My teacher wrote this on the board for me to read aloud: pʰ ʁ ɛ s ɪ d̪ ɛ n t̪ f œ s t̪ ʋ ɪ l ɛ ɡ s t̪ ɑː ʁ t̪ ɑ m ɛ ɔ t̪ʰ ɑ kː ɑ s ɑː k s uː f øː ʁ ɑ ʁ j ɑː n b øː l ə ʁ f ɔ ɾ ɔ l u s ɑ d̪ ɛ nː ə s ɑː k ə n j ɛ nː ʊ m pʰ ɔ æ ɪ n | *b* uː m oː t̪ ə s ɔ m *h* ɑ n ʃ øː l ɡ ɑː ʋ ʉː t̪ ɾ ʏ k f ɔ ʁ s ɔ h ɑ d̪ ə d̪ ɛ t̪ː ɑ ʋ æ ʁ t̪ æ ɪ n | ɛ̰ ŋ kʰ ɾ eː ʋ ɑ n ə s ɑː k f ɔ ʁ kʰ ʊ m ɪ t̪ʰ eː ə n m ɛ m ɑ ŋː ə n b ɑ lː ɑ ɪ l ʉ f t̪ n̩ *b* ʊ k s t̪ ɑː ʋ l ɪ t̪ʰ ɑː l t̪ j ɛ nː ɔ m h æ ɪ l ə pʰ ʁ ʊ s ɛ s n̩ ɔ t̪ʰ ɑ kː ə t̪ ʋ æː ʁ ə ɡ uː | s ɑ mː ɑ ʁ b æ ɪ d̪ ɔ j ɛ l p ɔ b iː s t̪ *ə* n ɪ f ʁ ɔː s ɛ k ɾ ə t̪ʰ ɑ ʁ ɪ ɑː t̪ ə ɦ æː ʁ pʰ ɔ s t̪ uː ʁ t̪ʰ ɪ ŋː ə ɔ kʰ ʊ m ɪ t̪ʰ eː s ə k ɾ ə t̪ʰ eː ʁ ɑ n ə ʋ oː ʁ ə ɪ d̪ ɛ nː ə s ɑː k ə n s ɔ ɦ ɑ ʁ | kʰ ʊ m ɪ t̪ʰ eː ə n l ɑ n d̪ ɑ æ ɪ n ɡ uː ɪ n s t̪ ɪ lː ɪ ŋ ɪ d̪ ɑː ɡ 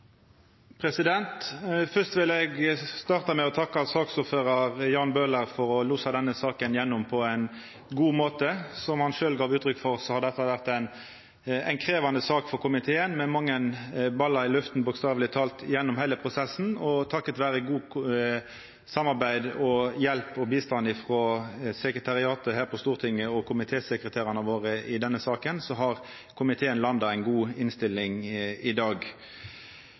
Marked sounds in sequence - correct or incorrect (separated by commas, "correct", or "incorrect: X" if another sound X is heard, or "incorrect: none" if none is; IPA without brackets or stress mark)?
incorrect: ɡ, correct, correct, incorrect: ɑ